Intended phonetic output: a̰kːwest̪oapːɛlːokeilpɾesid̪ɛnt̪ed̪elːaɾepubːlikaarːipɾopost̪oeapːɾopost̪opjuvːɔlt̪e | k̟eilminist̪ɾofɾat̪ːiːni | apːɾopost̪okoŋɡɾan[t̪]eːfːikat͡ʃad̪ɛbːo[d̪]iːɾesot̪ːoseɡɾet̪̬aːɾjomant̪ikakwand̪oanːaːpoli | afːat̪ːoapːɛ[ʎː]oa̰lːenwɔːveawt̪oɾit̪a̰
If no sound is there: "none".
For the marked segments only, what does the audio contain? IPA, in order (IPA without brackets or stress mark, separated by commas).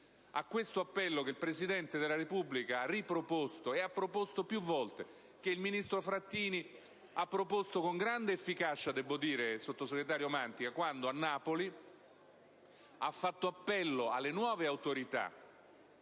d̪, d̪, lː